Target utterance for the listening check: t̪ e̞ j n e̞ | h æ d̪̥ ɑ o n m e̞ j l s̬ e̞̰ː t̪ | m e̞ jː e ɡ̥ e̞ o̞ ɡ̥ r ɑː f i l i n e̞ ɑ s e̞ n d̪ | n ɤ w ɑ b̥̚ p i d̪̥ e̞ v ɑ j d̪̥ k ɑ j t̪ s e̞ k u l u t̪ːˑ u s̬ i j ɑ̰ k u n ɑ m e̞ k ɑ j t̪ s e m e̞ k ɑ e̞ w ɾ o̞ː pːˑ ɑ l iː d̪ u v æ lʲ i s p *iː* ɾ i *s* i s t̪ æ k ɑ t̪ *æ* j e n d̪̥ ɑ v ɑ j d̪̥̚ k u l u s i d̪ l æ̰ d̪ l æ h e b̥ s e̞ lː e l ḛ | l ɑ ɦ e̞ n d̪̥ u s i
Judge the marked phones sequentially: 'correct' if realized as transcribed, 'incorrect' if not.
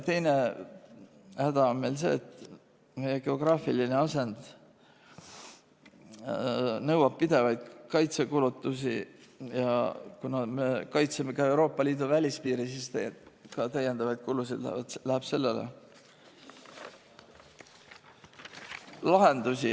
correct, correct, correct

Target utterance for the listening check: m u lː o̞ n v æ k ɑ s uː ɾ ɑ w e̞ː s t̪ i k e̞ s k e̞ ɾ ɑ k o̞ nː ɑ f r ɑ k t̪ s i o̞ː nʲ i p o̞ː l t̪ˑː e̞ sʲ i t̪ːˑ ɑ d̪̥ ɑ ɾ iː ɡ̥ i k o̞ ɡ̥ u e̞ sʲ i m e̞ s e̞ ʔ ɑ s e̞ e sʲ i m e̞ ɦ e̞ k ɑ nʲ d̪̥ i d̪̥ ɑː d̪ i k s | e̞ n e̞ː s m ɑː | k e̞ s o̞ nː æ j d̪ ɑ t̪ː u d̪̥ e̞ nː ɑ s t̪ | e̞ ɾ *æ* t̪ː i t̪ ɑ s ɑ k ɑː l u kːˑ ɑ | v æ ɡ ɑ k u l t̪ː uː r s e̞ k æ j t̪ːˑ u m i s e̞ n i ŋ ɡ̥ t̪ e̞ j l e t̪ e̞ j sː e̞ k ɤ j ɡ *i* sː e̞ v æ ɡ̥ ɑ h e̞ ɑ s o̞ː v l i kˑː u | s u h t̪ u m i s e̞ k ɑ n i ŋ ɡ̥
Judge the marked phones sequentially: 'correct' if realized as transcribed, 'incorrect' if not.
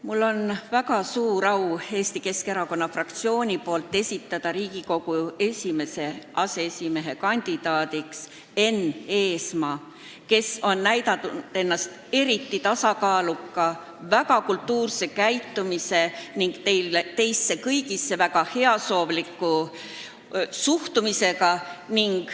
incorrect: i, correct

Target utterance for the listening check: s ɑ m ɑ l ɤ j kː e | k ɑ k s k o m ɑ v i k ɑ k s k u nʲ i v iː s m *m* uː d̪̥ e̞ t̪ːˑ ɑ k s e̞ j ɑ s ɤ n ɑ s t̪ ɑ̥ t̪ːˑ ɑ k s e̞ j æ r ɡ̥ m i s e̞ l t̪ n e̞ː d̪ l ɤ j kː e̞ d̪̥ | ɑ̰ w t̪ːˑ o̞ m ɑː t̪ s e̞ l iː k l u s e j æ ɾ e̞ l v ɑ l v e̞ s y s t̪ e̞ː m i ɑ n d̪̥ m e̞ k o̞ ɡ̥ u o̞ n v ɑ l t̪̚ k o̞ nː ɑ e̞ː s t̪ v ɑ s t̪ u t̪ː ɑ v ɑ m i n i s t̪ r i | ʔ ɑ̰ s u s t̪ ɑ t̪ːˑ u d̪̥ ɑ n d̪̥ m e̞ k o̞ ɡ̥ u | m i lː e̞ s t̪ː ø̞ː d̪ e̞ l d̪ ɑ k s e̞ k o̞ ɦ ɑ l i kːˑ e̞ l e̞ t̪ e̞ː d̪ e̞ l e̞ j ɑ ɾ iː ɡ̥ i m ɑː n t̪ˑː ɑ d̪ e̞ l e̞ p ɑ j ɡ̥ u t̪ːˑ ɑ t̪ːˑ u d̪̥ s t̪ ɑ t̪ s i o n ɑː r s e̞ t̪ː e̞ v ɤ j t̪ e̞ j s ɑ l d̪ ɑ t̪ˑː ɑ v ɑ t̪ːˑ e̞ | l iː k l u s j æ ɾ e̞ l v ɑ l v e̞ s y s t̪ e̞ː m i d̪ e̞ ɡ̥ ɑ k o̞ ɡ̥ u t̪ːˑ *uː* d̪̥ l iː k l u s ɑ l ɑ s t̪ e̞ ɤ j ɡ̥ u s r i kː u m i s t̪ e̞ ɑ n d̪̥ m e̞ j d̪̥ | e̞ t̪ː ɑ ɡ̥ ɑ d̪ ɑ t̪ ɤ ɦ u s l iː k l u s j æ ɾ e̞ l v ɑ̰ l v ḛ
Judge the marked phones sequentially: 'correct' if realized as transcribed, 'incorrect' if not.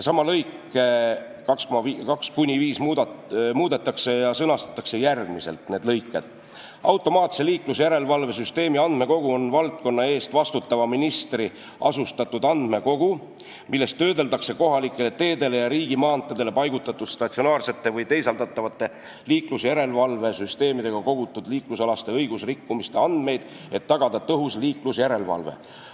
correct, incorrect: u

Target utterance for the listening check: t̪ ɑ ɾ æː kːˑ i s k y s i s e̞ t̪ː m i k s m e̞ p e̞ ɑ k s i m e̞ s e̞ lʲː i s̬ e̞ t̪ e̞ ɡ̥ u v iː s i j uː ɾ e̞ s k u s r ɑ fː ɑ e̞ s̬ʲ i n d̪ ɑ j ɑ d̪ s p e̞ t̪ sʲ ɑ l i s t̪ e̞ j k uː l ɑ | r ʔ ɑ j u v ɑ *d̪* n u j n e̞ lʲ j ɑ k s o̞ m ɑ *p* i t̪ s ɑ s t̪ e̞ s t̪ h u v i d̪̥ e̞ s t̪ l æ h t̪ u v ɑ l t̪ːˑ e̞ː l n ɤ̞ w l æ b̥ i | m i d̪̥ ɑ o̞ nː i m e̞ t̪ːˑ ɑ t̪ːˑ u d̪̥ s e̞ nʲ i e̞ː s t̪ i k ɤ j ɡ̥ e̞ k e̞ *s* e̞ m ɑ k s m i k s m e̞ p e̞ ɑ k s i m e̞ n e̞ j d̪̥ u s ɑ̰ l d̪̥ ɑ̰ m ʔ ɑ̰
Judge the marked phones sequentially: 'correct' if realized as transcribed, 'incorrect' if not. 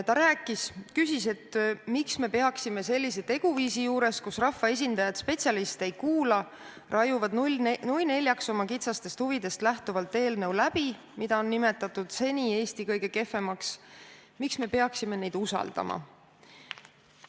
correct, incorrect: k, incorrect: f

